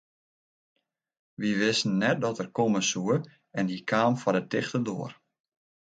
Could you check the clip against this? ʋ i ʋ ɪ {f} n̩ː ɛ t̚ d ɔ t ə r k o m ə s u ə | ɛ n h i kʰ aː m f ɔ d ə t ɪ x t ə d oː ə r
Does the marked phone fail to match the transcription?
yes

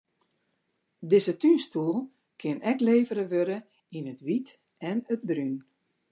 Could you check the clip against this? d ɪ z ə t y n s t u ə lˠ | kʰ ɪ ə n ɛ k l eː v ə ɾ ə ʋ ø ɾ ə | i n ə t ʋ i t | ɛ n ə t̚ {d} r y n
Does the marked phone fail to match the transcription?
yes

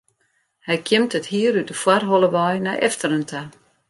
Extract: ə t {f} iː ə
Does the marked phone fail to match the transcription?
yes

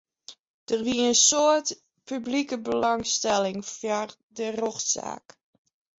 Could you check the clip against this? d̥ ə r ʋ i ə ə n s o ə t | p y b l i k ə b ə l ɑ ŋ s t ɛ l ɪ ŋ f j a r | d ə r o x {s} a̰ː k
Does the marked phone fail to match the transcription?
no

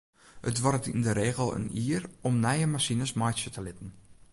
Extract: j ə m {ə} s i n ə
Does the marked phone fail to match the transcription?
yes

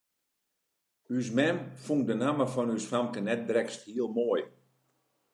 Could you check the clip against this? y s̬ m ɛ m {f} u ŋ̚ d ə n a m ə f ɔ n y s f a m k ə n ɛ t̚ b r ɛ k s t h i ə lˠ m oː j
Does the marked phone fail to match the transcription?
no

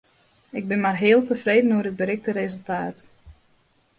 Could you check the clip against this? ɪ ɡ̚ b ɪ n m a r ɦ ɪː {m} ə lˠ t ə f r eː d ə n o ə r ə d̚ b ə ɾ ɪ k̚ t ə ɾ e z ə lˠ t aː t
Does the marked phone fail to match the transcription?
yes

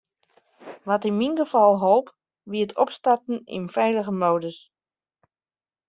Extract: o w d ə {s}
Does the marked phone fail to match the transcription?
no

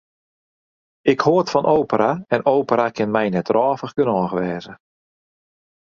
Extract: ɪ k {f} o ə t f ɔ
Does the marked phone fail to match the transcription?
yes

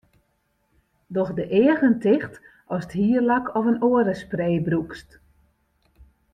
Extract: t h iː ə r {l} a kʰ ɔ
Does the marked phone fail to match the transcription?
no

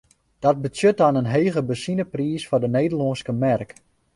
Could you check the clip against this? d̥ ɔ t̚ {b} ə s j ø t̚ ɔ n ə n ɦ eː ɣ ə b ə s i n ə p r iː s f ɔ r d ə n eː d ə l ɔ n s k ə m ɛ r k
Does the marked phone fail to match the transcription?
no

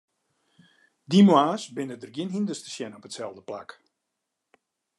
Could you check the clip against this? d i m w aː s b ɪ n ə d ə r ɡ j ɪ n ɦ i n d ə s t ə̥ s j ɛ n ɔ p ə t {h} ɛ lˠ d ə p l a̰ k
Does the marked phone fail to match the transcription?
yes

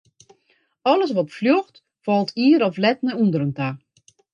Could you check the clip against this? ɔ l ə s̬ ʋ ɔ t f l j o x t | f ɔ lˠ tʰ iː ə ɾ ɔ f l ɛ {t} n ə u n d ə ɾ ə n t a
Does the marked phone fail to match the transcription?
no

